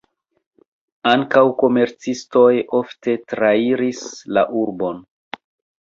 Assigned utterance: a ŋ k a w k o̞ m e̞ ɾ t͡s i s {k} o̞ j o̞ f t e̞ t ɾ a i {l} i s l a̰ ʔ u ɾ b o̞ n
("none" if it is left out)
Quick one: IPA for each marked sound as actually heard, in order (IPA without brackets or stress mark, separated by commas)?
t, ɾ